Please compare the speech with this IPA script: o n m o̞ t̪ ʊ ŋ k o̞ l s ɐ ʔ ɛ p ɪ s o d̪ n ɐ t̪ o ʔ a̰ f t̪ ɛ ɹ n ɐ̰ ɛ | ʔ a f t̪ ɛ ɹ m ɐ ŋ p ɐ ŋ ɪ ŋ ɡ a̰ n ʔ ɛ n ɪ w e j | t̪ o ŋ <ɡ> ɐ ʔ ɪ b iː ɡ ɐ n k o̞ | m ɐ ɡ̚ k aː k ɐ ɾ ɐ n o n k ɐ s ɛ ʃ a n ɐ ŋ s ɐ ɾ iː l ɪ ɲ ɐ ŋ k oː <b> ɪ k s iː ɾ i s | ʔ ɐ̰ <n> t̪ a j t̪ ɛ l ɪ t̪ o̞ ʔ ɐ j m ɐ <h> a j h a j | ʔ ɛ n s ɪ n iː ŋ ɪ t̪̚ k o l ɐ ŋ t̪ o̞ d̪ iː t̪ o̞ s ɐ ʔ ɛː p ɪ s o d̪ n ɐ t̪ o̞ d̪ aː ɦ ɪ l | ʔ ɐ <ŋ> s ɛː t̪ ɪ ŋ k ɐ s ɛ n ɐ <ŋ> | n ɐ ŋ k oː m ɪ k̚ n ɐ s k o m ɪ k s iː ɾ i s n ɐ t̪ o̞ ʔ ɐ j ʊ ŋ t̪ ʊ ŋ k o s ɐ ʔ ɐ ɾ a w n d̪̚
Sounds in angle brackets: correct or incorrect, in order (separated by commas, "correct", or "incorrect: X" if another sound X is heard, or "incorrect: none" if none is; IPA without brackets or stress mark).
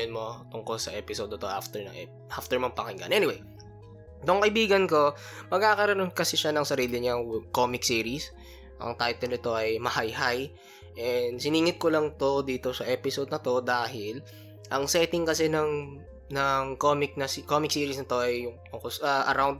incorrect: k, incorrect: m, incorrect: ŋ, correct, correct, correct